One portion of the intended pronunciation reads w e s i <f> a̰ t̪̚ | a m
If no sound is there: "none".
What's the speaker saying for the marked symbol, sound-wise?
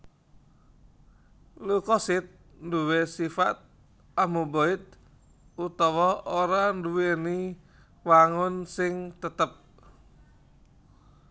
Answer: f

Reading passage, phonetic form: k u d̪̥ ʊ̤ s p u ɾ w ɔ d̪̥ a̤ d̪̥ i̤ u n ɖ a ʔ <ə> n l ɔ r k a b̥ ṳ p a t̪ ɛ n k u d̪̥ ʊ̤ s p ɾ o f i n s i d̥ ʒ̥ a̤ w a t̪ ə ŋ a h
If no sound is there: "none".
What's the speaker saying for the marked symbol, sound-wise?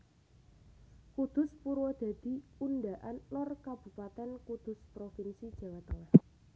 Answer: a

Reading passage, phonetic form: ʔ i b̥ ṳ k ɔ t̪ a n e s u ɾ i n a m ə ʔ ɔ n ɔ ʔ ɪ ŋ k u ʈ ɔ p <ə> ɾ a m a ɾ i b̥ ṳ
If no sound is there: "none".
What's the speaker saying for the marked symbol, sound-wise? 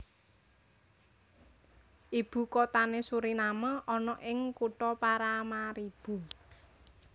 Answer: a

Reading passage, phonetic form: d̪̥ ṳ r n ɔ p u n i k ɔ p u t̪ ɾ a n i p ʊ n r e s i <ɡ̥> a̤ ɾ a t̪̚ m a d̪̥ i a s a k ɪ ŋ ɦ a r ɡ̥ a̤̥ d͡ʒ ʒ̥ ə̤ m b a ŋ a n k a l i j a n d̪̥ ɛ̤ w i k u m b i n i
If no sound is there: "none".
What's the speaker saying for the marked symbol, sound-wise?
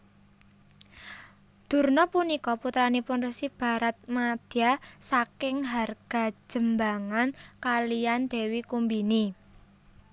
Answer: b̥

